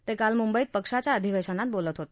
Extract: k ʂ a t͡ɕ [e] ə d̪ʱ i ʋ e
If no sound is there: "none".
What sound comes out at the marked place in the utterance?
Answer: a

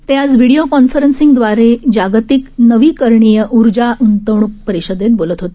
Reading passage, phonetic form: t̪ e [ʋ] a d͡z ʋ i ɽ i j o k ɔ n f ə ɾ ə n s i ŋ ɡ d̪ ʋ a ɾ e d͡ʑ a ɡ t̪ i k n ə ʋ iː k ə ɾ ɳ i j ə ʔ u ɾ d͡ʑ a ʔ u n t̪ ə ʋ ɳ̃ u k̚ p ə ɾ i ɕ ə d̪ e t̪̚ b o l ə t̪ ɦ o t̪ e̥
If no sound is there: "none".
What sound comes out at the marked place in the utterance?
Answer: none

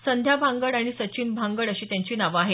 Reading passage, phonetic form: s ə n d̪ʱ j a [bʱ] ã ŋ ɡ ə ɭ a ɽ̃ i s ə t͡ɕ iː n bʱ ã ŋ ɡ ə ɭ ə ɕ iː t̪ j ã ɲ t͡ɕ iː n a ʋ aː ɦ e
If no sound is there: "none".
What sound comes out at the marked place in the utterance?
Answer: bʱ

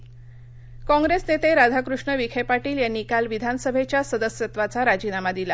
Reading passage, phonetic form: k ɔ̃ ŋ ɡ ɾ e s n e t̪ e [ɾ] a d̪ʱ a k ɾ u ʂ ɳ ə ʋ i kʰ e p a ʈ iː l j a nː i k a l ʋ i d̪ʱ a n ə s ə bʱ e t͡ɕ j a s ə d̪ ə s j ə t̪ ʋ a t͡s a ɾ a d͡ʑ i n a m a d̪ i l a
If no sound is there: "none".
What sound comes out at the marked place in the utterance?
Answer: ɾ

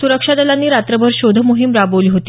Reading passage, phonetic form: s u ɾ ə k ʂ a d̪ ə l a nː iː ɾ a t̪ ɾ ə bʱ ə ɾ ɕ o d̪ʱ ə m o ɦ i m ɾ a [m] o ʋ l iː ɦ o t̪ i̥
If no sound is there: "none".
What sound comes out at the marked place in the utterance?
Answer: b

